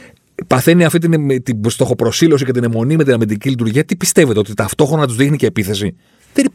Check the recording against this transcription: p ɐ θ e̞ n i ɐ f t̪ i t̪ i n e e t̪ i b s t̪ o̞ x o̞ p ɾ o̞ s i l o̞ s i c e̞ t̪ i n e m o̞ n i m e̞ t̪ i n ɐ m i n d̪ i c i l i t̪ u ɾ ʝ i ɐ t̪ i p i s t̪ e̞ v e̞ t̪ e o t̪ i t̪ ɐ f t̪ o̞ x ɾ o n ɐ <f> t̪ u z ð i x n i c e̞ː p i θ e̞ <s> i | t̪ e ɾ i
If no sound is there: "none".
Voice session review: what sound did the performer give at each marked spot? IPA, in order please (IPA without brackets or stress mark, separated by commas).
none, s